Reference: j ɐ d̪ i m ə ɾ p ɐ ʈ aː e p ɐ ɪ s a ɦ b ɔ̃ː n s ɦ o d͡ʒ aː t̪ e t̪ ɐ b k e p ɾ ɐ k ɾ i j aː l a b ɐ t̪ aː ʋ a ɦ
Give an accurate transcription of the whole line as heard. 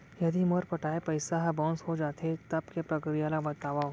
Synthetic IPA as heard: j ɐ d̪ i m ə ɾ p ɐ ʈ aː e p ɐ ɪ s a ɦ b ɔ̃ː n s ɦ o d͡ʒ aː t̪ e t̪ ɐ b k e p ɾ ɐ k ɾ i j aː l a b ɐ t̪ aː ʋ a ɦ